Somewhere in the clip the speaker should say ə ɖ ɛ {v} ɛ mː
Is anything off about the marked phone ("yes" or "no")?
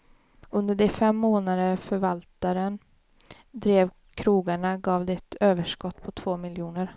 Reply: yes